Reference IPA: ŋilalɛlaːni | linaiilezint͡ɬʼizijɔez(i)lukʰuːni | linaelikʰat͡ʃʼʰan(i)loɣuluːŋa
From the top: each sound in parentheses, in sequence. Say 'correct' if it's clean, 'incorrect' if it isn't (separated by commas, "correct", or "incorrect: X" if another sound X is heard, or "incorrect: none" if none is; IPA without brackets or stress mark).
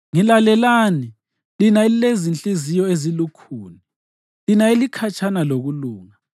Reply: correct, incorrect: a